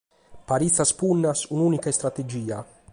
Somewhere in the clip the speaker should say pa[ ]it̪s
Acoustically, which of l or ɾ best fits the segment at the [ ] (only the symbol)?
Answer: ɾ